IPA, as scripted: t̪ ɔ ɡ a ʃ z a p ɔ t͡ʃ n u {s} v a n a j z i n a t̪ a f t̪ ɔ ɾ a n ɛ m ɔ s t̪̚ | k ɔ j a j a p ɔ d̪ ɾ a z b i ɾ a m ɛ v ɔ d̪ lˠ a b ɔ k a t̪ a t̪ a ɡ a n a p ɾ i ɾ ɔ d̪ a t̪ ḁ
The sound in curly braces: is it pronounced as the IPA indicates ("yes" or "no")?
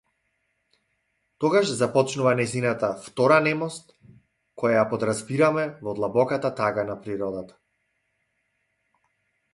no